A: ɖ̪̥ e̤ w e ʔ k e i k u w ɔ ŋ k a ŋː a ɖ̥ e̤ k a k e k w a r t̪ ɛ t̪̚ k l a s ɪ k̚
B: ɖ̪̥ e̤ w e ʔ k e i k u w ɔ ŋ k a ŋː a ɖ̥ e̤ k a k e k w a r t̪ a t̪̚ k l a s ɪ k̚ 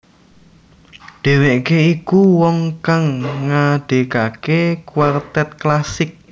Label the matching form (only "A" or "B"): A